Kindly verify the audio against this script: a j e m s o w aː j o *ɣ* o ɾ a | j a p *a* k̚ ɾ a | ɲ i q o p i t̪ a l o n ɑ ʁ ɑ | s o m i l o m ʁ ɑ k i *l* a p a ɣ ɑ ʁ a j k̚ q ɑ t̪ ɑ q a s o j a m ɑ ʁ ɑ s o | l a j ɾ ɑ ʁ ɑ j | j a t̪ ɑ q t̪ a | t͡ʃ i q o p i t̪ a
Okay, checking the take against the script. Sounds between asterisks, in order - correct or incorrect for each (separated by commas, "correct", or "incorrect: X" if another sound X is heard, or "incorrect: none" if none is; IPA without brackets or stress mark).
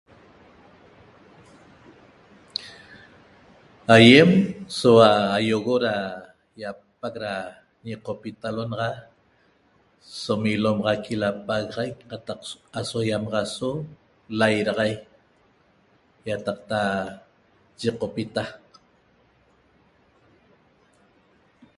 correct, correct, correct